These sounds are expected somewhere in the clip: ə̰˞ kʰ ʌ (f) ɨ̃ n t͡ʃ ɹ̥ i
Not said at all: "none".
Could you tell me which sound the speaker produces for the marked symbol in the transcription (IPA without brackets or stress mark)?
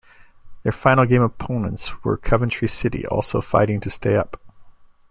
v